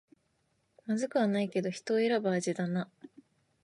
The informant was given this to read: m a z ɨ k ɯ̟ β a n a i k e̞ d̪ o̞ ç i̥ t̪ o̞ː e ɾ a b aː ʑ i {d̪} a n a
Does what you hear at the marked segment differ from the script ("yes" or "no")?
no